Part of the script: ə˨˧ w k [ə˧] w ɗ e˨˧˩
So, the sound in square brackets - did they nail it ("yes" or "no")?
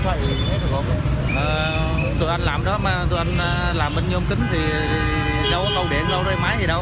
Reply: yes